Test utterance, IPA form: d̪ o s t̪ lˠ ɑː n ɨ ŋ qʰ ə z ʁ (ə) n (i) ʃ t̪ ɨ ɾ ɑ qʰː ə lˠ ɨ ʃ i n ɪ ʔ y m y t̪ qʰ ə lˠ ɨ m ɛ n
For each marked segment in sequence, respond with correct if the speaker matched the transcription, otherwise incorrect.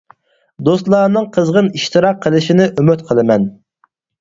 correct, correct

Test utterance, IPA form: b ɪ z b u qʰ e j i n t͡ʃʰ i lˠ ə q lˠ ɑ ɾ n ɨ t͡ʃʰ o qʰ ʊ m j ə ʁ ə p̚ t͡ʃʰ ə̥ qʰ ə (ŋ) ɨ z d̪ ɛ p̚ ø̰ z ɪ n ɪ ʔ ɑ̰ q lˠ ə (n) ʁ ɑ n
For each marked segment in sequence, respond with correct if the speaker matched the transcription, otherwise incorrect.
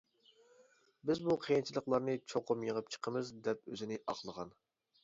incorrect, incorrect

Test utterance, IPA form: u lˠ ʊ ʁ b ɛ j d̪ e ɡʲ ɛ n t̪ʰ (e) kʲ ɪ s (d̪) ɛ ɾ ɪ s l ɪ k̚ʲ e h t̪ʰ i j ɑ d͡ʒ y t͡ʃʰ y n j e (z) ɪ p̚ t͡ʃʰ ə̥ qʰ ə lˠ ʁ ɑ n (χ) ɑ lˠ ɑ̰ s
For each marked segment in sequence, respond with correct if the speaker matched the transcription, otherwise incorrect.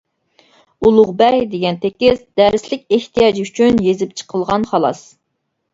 correct, correct, correct, correct

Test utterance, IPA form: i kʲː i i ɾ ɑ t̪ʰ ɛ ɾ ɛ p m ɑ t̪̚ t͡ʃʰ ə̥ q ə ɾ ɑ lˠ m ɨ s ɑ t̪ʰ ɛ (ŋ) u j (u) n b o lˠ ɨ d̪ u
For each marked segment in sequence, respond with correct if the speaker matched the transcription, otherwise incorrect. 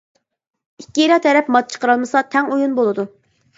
correct, correct

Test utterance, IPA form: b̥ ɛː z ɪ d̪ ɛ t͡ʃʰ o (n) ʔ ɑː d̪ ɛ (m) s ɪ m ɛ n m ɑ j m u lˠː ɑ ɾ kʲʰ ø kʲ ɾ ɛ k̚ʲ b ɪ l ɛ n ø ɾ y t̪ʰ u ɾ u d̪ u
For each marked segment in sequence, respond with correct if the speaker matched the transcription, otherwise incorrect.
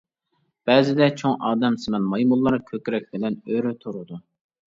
incorrect, correct

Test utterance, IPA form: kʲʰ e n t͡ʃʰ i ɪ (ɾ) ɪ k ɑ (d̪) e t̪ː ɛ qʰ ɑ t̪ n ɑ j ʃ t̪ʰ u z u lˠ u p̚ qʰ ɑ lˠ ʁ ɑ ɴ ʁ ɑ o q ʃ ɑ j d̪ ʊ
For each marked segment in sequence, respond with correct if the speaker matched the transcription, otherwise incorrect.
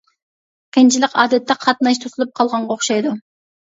incorrect, correct

